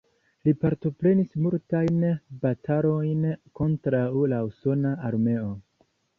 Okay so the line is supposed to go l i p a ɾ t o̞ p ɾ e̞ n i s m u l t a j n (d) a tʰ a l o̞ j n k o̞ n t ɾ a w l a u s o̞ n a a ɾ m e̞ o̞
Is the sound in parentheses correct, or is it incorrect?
incorrect